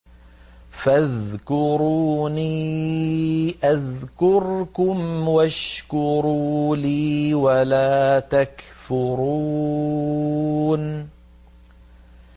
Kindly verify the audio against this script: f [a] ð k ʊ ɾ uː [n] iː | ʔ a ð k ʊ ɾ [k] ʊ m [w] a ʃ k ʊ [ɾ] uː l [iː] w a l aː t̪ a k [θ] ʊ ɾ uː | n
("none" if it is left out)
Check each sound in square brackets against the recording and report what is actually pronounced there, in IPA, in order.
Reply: a, n, k, w, ɾ, iː, f

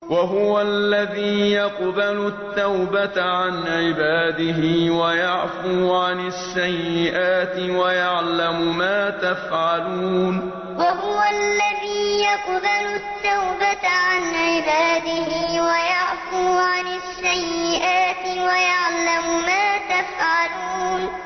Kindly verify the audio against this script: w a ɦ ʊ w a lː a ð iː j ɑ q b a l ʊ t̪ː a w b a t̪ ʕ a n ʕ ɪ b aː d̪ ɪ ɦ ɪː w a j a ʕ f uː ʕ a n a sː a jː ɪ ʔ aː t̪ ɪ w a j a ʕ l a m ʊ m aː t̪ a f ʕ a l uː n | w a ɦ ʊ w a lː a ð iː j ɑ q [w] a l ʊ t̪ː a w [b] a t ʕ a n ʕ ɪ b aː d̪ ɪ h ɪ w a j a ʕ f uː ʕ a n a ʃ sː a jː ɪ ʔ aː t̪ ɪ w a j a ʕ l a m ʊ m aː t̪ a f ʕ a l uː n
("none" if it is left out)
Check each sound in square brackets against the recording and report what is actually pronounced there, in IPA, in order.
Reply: b, b

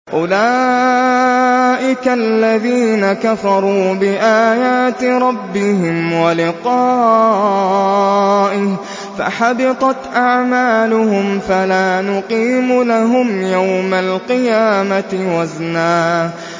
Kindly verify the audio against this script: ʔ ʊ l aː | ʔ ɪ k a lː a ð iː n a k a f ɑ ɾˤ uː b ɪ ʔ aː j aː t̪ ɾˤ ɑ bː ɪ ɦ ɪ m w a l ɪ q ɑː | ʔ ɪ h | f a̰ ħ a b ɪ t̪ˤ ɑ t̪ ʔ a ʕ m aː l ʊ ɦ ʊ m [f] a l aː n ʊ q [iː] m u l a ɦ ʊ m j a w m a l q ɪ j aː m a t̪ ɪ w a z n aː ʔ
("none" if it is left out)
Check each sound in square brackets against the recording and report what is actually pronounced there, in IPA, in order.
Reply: f, iː

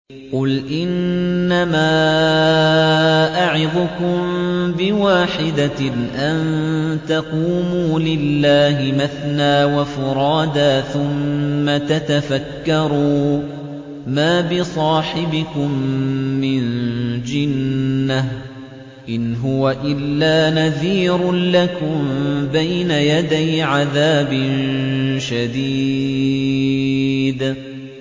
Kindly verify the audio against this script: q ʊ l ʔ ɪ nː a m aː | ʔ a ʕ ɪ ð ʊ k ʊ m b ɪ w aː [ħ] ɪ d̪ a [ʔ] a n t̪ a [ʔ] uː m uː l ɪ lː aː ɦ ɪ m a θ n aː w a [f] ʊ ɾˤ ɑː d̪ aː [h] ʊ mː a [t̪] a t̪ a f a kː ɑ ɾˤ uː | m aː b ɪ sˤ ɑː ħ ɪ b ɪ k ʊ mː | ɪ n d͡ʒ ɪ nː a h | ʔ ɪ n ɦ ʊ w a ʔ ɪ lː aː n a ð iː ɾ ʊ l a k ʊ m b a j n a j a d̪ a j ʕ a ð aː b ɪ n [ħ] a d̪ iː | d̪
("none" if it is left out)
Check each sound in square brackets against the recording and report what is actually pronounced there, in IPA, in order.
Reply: ħ, ʔ, q, f, θ, t̪, ʃ

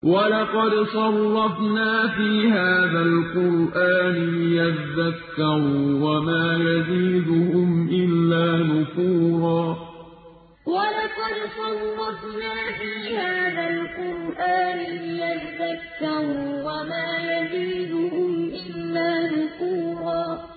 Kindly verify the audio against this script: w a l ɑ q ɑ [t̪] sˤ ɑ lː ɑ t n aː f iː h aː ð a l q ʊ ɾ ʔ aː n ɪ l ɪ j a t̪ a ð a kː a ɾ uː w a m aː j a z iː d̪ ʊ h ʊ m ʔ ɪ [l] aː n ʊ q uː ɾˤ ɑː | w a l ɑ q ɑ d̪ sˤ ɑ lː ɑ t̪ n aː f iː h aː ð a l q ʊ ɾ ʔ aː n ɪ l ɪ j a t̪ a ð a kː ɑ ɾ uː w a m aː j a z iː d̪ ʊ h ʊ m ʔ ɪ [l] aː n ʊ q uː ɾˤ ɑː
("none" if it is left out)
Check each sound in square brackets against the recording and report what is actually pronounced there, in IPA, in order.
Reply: d̪, lː, lː

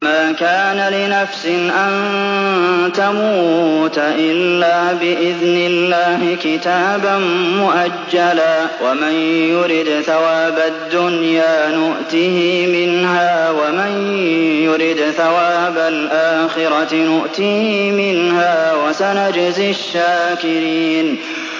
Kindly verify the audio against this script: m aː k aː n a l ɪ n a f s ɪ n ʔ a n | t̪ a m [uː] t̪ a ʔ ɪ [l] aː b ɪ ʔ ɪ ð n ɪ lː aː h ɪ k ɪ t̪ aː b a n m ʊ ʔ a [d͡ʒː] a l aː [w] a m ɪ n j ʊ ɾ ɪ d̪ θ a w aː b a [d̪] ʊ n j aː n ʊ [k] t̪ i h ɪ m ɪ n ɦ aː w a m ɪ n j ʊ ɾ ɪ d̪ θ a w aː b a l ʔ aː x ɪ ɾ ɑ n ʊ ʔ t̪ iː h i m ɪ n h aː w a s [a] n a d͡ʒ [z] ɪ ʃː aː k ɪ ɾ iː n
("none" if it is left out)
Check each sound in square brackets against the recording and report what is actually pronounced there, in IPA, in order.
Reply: uː, lː, d͡ʒː, w, d̪ː, ʔ, a, z

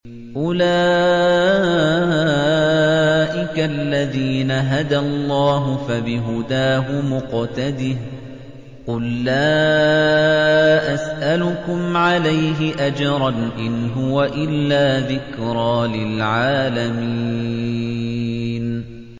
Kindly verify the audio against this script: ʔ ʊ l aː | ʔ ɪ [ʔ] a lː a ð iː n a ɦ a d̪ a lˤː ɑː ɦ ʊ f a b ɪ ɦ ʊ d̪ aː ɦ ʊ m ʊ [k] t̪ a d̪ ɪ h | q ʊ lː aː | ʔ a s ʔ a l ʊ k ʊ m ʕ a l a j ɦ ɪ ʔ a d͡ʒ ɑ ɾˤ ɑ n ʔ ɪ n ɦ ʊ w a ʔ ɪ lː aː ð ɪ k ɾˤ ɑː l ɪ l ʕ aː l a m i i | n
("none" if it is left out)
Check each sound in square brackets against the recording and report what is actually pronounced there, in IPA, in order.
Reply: k, q

